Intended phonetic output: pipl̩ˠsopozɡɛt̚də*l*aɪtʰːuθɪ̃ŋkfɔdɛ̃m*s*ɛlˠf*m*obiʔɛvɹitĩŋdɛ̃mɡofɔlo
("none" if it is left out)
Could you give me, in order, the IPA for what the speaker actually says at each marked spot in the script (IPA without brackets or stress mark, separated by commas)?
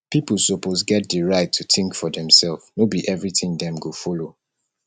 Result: ɹ, s, n